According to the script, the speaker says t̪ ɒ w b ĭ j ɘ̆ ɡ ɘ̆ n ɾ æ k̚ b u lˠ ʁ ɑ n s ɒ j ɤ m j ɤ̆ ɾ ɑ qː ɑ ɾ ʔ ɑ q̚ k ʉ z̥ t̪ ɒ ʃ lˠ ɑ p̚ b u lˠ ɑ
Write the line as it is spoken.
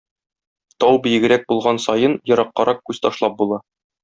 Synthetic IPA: t̪ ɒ w b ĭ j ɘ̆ ɡ ɘ̆ ɾ æ k̚ b u lˠ ʁ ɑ n s ɒ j ɤ n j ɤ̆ ɾ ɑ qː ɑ ɾ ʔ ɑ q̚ k ʉ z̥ t̪ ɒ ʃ lˠ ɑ p̚ b u lˠ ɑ